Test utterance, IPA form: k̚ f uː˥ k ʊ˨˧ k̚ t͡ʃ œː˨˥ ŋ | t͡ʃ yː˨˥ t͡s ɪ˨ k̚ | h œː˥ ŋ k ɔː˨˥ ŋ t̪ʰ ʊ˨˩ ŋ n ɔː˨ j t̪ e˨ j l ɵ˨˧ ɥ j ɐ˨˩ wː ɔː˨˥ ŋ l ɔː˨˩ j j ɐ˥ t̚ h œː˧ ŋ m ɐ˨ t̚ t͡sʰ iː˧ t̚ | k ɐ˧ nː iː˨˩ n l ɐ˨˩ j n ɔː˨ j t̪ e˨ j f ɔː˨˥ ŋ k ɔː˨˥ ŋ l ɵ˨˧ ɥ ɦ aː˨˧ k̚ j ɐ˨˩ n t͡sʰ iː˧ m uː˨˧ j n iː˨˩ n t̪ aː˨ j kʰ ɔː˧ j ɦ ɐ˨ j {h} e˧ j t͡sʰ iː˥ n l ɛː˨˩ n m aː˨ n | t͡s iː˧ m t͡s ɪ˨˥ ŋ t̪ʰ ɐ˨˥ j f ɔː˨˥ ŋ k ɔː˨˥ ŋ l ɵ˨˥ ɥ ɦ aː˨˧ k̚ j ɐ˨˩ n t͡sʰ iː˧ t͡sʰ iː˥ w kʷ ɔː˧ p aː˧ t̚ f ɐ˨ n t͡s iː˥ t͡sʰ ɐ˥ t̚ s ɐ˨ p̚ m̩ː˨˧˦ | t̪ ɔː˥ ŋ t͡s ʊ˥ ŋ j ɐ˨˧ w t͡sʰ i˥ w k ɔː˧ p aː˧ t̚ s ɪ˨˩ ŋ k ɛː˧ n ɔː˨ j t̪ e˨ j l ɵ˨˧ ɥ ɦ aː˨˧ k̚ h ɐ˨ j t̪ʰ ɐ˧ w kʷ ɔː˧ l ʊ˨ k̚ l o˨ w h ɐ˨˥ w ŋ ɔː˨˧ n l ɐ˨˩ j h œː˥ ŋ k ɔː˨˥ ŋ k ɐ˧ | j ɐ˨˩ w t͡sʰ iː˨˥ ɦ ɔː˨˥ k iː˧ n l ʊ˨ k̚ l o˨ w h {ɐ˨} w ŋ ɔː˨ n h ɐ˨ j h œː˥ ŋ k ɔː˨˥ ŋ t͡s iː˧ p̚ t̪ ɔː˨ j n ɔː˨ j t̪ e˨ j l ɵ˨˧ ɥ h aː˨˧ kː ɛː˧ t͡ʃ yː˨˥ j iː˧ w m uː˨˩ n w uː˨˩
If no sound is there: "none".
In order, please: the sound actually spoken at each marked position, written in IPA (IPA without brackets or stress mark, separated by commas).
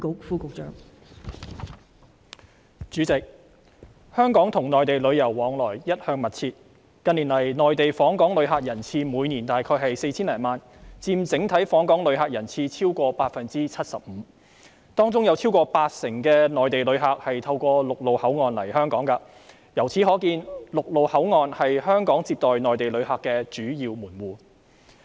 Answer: s, ɐ˨˥